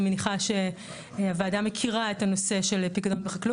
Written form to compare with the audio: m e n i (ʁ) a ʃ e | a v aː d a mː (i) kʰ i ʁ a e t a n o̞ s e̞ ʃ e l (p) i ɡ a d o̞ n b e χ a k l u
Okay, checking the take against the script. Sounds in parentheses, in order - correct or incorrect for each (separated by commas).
incorrect, incorrect, correct